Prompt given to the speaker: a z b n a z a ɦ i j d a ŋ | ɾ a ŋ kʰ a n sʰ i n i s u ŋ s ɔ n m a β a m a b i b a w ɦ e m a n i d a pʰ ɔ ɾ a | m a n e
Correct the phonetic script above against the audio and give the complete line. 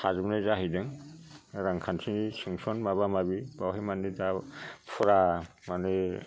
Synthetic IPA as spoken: a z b n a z a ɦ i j d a ŋ | ɾ a ŋ kʰ a n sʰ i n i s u ŋ s ɔ n m a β a m a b i b a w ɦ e m a n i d a pʰ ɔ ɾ a | m a n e